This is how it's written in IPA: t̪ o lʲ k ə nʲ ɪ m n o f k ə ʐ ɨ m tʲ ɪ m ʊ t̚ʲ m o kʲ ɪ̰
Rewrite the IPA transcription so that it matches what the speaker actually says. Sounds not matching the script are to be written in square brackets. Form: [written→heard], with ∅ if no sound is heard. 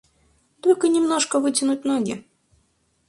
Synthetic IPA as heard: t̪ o lʲ k ə nʲ ɪ m n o [f→ʂ] k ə [ʐ→v] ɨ [m→∅] tʲ ɪ [m→n] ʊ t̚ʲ [m→n] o [kʲ→ɡʲ] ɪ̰